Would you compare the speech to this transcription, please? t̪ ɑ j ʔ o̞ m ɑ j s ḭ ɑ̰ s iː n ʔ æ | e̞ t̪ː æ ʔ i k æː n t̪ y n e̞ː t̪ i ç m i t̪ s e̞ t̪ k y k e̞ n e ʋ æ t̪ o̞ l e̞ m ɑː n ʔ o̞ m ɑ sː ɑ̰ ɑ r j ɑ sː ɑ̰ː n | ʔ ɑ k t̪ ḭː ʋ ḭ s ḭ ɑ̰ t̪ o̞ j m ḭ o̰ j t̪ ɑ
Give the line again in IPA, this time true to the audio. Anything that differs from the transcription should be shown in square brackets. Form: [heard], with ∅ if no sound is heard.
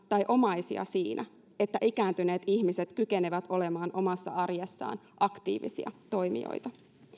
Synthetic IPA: t̪ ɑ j ʔ o̞ m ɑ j s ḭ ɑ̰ s iː n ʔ æ | e̞ t̪ː æ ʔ i k æː n t̪ y n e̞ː t̪ i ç m i [∅] s e̞ t̪ k y k e̞ n e ʋ æ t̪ o̞ l e̞ m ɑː n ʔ o̞ m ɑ sː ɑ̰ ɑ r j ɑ sː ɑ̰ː n | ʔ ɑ k t̪ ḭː ʋ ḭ s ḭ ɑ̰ t̪ o̞ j m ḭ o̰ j t̪ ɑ